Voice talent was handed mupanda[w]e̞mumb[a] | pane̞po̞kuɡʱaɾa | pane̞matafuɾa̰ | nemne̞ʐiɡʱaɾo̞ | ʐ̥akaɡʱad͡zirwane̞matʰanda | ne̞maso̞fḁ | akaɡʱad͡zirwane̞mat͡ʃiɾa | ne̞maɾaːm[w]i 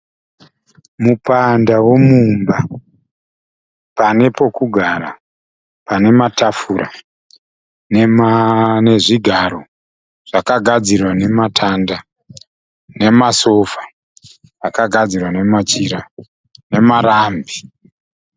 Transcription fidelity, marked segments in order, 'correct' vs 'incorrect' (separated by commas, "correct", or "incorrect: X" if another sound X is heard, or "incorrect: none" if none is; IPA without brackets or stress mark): correct, correct, incorrect: b